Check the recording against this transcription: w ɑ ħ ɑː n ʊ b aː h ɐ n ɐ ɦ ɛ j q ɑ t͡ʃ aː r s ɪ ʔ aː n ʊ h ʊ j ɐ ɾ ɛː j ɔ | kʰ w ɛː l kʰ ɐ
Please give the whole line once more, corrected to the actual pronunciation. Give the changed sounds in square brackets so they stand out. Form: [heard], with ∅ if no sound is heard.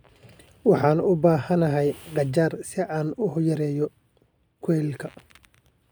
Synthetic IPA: w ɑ ħ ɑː n ʊ b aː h ɐ n ɐ ɦ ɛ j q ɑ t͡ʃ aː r s ɪ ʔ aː n ʊ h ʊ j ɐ ɾ ɛː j ɔ | kʰ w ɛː l kʰ ɐ